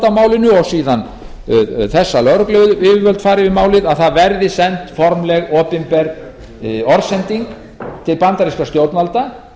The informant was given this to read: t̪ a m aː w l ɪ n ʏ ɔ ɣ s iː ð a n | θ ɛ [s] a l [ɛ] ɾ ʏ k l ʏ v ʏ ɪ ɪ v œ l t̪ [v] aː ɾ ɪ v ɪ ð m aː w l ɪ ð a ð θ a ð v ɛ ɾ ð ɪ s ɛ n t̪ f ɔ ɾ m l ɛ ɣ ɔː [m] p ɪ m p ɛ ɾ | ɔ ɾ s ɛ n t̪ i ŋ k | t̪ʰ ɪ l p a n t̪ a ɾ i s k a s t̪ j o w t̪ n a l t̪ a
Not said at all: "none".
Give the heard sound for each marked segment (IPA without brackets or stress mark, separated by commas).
sː, œ, f, none